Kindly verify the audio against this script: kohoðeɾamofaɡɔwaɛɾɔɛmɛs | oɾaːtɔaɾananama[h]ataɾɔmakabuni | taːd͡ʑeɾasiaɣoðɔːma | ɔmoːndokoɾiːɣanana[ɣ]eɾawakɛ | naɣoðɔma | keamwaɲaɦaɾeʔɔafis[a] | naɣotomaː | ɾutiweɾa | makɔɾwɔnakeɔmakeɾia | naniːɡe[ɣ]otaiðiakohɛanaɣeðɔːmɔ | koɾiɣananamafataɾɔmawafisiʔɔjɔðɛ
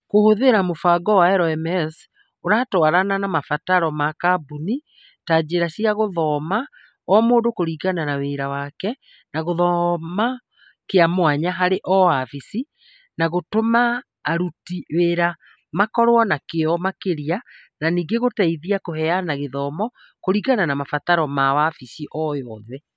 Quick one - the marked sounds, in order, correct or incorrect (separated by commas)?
incorrect, incorrect, incorrect, correct